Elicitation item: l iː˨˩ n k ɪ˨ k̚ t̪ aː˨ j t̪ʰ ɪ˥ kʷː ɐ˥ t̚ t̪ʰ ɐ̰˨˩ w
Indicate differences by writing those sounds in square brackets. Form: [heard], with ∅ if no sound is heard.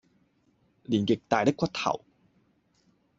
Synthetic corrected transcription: l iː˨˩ n k ɪ˨ k̚ t̪ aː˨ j [t̪] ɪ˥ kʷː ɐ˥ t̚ t̪ʰ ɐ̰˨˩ w